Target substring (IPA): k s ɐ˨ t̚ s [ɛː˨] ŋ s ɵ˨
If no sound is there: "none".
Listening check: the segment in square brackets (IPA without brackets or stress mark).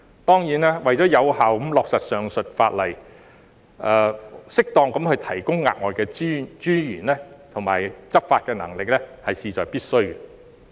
œː˨